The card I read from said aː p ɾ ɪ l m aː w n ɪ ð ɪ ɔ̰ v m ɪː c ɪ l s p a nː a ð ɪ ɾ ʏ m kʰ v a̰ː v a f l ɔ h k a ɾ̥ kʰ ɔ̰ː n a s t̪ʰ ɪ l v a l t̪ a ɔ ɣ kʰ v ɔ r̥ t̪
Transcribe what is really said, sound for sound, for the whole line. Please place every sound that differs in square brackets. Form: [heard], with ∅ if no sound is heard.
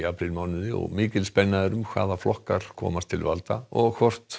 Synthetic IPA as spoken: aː p ɾ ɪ l m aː w n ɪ ð ɪ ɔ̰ [ɣ] m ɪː c ɪ l s p [ɛ] nː a ð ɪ ɾ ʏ m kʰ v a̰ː [ð] a f l ɔ h k a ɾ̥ kʰ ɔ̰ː [m] a s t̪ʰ ɪ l v a l t̪ a ɔ ɣ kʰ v ɔ r̥ t̪